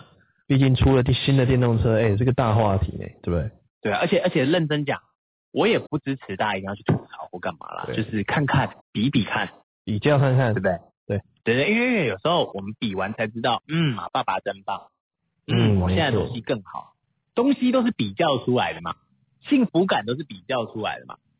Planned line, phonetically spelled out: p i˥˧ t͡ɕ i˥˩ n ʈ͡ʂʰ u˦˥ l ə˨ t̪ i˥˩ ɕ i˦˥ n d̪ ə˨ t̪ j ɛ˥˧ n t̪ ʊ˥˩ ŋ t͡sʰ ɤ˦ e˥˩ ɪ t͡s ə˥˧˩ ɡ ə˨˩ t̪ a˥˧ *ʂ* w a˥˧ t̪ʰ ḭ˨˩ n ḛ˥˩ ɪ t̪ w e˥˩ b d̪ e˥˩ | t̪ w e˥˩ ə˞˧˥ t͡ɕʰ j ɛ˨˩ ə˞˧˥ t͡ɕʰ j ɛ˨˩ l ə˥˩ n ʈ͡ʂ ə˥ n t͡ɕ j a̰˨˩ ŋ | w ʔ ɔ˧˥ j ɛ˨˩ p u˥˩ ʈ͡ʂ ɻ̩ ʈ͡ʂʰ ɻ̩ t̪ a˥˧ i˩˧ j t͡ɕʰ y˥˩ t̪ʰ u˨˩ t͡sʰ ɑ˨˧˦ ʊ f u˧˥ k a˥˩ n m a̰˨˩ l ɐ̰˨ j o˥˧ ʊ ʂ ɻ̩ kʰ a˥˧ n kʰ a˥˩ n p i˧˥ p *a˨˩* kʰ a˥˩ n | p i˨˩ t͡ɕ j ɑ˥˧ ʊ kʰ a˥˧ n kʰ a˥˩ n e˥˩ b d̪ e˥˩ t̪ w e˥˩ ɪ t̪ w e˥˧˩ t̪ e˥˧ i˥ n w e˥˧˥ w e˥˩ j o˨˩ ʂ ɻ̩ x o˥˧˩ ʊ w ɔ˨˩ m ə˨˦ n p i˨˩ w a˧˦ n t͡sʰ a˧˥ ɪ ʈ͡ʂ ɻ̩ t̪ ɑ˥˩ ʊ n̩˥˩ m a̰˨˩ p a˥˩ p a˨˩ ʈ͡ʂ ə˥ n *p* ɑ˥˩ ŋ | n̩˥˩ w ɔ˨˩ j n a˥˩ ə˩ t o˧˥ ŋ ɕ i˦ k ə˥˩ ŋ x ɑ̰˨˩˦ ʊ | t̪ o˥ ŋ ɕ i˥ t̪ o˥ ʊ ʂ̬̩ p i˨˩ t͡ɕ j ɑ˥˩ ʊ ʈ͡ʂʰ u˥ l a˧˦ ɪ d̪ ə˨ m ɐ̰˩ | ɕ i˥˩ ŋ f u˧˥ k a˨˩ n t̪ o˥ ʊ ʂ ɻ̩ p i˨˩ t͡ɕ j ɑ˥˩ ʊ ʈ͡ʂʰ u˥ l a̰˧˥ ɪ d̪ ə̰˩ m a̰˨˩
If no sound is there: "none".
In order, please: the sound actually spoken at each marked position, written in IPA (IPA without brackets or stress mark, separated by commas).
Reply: x, i˨˩, p